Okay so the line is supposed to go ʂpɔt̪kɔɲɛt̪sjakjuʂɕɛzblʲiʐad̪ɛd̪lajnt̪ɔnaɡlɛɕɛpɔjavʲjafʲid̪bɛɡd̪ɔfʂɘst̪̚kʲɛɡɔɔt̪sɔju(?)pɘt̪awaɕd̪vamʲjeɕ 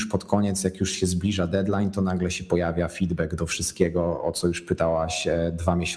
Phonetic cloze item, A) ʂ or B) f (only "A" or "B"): A